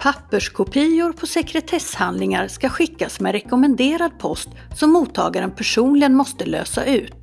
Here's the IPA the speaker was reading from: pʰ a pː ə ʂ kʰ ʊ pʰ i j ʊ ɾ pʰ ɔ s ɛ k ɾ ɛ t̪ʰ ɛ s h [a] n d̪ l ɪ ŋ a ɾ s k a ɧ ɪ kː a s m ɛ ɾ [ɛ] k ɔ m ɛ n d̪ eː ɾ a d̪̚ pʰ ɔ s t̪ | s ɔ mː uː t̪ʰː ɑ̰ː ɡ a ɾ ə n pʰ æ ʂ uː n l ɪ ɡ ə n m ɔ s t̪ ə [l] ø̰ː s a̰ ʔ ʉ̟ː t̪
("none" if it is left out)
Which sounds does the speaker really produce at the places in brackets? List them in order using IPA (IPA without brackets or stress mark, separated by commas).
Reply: a, ɛ, l